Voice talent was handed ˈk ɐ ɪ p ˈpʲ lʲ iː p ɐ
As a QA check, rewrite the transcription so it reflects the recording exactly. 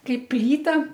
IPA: ˈk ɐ ɪ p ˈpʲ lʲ iː t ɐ